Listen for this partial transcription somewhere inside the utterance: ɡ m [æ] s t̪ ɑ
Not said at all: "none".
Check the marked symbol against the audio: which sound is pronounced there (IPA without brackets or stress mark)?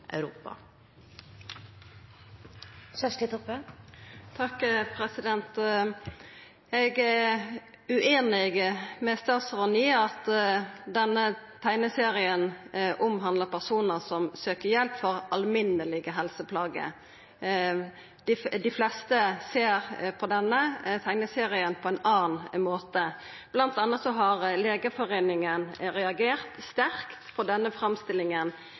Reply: ɛ